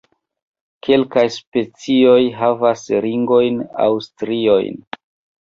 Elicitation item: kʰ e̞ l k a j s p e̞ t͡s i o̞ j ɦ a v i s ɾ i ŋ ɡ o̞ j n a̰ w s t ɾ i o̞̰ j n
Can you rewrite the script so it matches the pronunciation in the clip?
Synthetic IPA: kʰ e̞ l k a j s p e̞ t͡s i o̞ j ɦ a v a s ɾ i ŋ ɡ o̞ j n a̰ w s t ɾ i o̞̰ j n

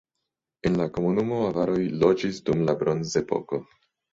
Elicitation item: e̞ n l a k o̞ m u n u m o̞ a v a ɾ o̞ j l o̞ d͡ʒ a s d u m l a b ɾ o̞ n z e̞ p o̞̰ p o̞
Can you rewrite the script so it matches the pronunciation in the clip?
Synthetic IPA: e̞ n l a k o̞ m u n u m o̞ a v a ɾ o̞ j l o̞ d͡ʒ i s d u m l a b ɾ o̞ n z e̞ p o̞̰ k o̞

